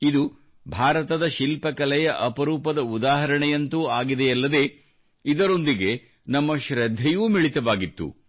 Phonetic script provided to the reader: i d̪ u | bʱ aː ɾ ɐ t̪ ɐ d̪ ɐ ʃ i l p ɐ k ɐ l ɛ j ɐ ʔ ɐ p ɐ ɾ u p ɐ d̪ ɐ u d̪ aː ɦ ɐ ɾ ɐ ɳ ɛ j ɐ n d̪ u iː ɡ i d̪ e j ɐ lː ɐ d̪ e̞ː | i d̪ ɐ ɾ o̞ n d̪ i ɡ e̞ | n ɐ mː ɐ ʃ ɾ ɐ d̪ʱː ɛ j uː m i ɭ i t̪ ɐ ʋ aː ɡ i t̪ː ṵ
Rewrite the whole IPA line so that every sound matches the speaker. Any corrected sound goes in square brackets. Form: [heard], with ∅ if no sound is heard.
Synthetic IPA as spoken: i d̪ u | bʱ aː ɾ ɐ t̪ ɐ d̪ ɐ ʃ i l p ɐ k ɐ l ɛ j ɐ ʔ ɐ p ɐ ɾ [uː] p ɐ d̪ ɐ u d̪ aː ɦ ɐ ɾ ɐ ɳ ɛ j ɐ n [t̪] u [aː] ɡ i d̪ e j ɐ lː ɐ d̪ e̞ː | i d̪ ɐ ɾ o̞ n d̪ i ɡ e̞ | n ɐ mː ɐ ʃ ɾ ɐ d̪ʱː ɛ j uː m i ɭ i t̪ ɐ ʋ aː ɡ i t̪ː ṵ